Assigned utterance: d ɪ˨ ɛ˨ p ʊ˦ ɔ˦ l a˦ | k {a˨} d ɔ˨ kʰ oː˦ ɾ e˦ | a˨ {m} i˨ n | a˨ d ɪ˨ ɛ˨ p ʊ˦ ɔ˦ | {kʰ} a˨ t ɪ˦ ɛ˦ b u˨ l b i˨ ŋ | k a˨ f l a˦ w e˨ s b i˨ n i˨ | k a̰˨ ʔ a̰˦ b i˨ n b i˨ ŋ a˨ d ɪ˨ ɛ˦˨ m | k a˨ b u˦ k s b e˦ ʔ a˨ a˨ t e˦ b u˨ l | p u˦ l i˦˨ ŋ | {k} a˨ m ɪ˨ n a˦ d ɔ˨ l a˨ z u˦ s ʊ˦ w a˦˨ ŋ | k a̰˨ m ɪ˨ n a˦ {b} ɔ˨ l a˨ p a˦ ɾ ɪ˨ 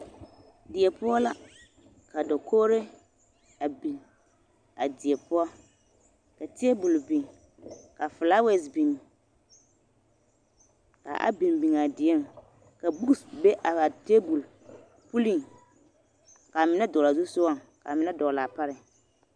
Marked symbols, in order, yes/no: yes, no, no, yes, no

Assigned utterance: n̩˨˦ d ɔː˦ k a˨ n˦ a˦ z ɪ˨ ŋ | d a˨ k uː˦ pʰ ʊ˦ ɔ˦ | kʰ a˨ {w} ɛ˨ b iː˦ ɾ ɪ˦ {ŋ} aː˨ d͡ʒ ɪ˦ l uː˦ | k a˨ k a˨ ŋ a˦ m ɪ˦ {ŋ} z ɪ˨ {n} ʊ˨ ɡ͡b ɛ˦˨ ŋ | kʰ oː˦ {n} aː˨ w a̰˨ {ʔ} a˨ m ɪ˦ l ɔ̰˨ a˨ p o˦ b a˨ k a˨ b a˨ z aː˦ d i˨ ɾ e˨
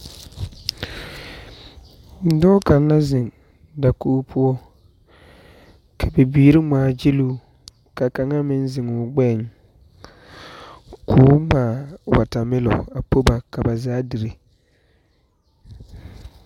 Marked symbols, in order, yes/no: no, no, no, no, no, no

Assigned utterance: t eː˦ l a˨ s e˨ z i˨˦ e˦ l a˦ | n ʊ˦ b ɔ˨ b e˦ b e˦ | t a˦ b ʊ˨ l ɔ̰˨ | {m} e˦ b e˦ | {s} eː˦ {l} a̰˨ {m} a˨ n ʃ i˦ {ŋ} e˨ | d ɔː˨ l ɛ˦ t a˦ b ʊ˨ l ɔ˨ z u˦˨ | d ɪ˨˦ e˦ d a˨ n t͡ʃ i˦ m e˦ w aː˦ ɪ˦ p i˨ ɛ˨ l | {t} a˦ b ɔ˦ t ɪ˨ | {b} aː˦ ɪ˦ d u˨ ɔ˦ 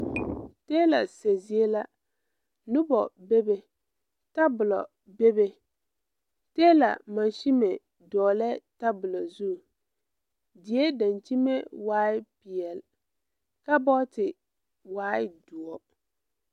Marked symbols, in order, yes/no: no, no, yes, yes, no, no, no

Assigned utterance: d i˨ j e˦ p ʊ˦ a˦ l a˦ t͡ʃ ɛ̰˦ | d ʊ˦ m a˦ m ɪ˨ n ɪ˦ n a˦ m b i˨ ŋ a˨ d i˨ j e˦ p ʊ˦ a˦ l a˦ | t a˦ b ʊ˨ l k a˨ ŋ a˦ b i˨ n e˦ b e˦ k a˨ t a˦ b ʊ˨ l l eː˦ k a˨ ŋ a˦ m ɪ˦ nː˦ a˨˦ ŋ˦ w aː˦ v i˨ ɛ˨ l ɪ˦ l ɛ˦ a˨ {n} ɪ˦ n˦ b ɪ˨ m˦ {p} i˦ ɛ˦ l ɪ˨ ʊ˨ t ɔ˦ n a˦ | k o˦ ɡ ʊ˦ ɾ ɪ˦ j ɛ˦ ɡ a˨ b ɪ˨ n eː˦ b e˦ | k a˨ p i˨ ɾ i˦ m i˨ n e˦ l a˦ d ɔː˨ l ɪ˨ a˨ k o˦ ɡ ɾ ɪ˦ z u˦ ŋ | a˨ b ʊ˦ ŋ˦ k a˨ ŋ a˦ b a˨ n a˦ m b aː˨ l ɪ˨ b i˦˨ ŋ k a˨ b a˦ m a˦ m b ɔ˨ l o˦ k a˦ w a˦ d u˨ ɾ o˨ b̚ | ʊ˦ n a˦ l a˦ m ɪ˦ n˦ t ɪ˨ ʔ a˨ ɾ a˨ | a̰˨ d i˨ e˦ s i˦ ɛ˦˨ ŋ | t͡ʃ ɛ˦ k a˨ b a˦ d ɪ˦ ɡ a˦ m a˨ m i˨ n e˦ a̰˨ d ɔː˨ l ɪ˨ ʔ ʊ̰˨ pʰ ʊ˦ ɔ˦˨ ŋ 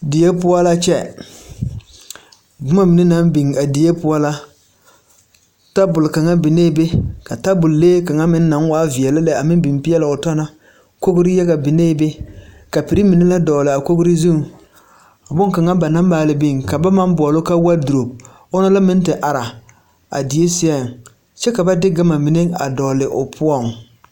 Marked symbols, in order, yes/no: no, yes

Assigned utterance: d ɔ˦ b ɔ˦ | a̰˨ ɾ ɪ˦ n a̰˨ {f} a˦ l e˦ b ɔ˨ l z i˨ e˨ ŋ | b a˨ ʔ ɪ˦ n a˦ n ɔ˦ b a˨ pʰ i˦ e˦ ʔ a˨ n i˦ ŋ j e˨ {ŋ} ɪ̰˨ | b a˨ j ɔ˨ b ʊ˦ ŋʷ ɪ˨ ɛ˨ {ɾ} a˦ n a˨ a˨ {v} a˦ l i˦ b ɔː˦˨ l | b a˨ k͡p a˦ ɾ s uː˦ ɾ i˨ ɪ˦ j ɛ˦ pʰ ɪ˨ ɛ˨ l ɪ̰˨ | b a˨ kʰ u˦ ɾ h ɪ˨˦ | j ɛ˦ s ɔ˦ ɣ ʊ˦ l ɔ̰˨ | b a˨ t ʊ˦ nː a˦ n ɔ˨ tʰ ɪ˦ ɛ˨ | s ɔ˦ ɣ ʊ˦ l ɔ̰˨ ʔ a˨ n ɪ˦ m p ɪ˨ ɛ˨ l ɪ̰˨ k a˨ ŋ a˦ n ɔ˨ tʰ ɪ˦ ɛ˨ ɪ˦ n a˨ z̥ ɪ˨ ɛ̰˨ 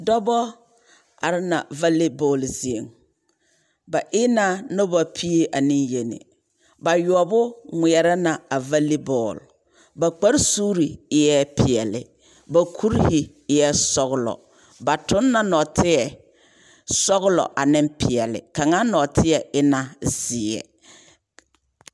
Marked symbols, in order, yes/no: no, no, yes, yes

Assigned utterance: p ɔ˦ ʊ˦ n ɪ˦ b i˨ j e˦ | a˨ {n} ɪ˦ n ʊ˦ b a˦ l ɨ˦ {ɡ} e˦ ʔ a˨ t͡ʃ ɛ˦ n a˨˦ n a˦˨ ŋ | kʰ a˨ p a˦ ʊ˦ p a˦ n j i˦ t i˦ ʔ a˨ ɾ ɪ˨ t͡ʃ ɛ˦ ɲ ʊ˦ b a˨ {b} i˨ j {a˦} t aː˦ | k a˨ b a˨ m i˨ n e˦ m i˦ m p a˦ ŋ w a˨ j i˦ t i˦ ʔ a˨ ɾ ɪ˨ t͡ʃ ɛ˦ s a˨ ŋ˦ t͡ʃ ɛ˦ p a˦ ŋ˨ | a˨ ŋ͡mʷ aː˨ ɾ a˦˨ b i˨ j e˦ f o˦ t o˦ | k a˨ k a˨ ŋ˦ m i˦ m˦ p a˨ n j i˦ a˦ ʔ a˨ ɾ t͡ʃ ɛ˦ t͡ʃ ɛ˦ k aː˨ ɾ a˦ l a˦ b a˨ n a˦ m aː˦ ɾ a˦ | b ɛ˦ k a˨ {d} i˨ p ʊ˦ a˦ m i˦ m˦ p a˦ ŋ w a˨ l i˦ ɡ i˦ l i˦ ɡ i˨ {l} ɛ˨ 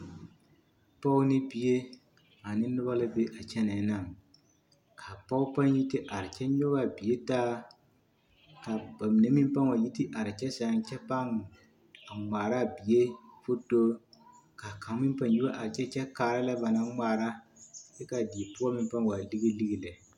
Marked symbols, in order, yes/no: yes, no, yes, no, yes, yes

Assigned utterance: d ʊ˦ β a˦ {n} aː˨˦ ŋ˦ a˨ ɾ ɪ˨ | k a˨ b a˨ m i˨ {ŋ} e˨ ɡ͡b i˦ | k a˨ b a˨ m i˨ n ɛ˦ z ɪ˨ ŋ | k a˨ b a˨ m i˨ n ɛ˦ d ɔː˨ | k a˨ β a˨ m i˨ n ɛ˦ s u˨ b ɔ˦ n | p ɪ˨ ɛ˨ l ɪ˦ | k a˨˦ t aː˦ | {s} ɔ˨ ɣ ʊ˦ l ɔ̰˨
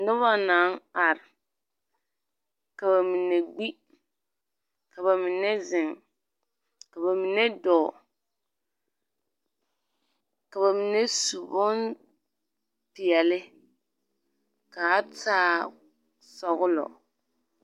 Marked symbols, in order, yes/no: yes, no, yes

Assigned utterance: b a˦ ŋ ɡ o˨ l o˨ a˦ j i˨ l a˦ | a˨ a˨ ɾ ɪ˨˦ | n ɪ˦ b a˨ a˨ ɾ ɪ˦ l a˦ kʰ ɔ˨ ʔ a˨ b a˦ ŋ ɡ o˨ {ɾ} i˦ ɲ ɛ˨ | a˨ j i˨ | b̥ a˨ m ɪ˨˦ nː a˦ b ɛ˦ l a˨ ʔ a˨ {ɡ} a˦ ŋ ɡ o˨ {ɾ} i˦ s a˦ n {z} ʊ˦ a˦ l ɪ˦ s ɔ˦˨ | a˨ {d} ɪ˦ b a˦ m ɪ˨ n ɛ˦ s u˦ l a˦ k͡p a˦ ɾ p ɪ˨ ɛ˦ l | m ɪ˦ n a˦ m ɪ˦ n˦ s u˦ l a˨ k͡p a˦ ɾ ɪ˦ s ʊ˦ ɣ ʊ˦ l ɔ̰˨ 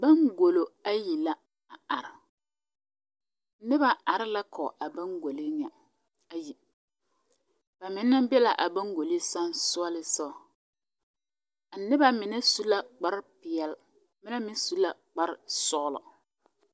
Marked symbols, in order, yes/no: no, no, no, no, no

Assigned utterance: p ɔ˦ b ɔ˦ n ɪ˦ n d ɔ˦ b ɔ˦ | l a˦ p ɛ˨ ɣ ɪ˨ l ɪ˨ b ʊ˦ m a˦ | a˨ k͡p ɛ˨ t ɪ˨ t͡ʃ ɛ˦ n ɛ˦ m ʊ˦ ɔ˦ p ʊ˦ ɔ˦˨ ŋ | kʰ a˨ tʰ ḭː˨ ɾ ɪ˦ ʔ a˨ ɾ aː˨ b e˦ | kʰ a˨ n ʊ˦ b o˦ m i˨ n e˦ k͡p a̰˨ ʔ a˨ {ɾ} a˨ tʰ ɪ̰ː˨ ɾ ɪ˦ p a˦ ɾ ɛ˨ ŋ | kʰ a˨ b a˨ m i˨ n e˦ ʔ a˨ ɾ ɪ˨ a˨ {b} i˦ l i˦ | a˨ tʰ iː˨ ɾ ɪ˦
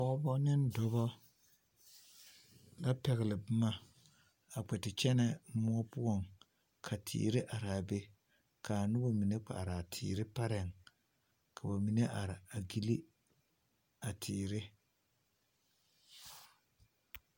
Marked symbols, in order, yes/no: yes, no

